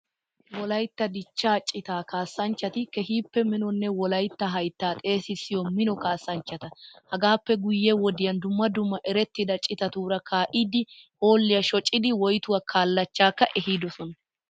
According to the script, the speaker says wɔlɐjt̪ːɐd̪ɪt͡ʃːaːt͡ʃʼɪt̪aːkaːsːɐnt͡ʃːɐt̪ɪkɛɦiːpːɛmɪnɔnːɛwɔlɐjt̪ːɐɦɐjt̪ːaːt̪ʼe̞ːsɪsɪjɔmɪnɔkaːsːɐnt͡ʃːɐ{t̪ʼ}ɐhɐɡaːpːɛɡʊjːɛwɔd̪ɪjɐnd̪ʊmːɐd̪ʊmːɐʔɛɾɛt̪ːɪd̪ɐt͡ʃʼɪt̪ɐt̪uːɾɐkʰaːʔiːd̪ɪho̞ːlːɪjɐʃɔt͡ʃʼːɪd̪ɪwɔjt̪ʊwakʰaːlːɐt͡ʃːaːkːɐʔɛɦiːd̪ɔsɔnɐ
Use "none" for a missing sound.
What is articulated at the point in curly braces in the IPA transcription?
t̪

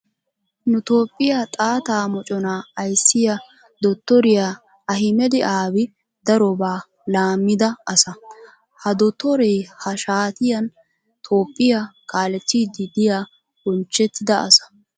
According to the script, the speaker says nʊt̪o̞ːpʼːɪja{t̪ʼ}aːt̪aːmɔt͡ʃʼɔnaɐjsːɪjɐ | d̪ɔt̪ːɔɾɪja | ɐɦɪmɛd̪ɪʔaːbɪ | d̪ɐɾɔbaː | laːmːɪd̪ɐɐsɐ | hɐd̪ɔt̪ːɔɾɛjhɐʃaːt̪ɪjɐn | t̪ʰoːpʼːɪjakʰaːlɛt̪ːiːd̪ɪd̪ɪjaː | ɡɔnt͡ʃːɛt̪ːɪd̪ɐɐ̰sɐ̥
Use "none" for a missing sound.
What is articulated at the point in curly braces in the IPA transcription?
t̪ʼ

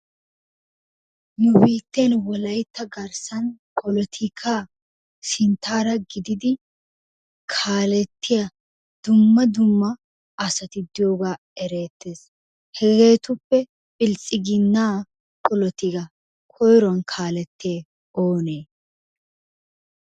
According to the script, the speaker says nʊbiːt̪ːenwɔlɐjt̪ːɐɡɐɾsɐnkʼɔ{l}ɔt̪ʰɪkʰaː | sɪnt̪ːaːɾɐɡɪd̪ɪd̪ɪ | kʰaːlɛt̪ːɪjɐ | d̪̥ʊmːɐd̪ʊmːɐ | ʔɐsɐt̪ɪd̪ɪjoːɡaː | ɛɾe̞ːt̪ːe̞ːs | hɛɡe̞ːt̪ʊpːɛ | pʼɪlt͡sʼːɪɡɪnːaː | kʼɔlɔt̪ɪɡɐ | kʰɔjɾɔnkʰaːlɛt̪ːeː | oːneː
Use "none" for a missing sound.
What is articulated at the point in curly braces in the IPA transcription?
l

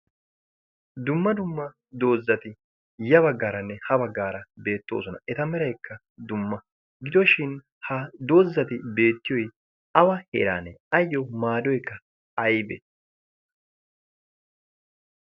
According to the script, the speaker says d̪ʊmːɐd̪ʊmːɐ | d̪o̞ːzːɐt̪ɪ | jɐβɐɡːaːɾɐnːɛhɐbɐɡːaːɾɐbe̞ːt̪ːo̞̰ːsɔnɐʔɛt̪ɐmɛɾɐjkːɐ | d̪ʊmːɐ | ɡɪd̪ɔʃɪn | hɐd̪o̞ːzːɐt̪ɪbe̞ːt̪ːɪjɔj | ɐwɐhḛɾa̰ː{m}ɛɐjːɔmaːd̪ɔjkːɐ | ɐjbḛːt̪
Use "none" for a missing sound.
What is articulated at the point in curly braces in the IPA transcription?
n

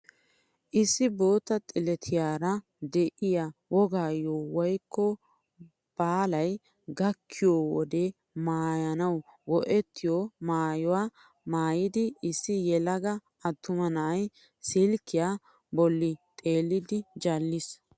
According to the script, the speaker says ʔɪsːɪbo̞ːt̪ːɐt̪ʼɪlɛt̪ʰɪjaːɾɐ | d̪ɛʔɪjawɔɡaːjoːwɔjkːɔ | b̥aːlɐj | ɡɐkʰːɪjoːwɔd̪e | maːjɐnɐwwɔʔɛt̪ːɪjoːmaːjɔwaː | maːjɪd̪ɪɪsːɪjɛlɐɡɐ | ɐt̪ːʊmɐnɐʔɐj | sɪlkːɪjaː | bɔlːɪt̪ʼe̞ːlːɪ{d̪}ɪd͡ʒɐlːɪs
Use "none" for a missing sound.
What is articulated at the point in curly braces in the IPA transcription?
d̪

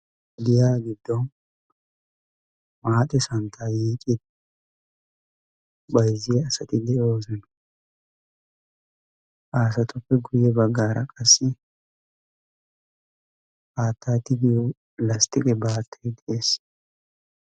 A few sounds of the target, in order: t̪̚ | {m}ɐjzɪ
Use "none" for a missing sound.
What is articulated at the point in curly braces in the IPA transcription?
b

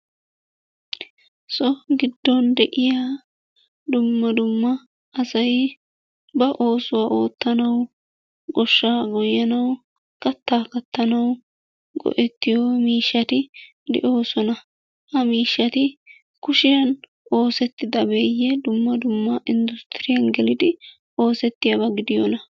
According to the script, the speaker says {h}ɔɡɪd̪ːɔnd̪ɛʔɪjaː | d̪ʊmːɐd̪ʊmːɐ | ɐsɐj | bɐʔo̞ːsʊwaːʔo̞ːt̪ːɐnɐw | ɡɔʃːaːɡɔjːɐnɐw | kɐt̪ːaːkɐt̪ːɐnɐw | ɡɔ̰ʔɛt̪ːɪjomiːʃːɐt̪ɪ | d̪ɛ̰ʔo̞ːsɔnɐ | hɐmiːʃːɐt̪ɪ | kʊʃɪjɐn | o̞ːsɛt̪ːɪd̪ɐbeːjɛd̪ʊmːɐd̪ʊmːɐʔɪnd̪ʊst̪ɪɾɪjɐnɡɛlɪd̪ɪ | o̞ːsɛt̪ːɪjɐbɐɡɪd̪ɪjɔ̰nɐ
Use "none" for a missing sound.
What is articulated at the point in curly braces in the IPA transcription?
s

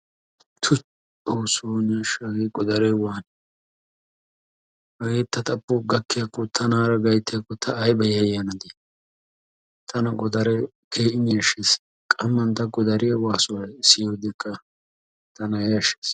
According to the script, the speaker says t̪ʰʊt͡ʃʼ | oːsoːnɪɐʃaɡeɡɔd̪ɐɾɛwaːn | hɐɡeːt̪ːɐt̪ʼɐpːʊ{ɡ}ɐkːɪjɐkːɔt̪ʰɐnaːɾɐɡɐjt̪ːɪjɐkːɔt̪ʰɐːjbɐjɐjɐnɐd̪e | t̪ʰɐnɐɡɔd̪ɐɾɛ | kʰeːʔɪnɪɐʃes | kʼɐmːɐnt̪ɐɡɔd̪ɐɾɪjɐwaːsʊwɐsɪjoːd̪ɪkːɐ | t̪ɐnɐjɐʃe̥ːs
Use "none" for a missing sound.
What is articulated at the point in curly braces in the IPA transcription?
ɡ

